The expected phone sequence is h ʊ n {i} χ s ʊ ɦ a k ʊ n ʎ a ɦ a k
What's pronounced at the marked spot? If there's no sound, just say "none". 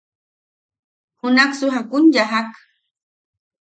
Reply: a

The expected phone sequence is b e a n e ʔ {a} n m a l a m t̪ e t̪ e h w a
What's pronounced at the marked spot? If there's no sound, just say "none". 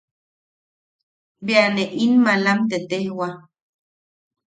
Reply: i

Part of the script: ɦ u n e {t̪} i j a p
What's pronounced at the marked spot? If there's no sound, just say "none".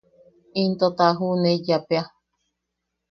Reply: none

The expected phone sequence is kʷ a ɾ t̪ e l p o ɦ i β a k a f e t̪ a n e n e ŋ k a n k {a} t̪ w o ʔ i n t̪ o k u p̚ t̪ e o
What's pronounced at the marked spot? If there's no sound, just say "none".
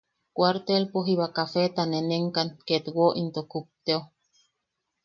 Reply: e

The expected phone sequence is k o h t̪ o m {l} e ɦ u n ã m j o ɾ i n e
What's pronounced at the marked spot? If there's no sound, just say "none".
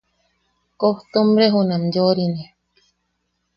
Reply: ɾ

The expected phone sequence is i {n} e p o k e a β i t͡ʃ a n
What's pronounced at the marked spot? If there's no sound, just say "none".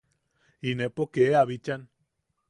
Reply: n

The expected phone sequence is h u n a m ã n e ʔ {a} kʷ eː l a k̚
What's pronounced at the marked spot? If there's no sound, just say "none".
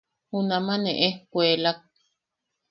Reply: e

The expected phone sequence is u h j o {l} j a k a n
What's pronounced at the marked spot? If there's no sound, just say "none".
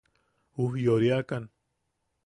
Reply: ɾ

